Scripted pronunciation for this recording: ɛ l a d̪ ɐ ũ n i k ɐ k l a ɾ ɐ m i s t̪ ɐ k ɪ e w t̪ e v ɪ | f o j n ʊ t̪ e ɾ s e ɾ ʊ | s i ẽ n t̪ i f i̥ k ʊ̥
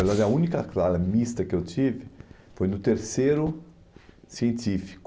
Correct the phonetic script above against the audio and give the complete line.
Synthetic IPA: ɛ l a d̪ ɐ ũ n i k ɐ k l a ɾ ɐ m i s t̪ ɐ k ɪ e w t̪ i v ɪ | f o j n ʊ t̪ e ɾ s e ɾ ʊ | s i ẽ n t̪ i f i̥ k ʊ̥